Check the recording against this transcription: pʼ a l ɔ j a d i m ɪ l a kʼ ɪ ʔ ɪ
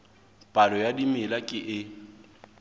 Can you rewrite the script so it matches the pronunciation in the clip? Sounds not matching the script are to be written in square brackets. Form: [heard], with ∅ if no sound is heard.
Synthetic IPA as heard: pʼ a l ɔ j a d i m ɪ l a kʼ ɪ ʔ ɪ